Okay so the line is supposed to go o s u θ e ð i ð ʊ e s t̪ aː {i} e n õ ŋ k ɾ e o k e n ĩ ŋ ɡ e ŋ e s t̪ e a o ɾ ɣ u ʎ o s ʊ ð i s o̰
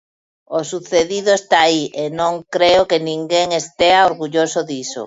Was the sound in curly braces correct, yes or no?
yes